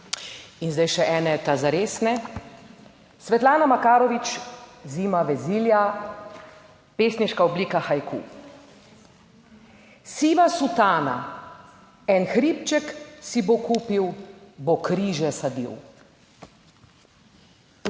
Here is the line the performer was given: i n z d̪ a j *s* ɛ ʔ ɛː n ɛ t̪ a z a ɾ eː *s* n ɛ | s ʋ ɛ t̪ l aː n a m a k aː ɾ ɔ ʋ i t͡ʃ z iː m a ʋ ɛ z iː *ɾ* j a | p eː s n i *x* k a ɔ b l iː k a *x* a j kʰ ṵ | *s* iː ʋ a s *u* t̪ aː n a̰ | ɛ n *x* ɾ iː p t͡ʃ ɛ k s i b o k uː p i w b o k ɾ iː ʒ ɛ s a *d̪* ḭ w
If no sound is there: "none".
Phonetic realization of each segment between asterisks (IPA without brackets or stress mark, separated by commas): ʃ, s, l, ʃ, x, s, u, x, d̪